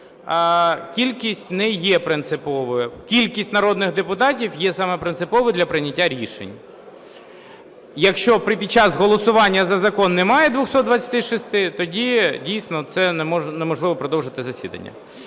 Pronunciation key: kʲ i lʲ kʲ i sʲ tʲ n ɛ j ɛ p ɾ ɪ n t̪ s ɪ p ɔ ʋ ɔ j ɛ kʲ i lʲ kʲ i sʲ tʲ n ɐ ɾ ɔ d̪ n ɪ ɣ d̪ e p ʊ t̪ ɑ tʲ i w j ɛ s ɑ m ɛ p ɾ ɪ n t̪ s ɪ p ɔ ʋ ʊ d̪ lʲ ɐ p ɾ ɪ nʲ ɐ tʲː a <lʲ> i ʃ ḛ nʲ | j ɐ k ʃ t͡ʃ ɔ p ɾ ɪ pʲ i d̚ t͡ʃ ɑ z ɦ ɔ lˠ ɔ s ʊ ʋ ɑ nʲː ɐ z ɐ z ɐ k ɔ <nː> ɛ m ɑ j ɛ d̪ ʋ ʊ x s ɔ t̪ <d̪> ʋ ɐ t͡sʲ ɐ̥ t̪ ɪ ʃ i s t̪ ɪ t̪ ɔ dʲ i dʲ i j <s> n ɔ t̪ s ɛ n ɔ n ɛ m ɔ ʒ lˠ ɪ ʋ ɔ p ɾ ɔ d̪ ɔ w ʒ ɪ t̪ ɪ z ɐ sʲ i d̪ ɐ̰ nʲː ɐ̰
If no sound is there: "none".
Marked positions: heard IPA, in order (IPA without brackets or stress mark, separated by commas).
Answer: ɾʲ, nː, d̪, s